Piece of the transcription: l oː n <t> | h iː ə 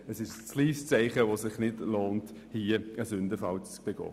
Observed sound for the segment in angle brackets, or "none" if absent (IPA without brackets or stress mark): t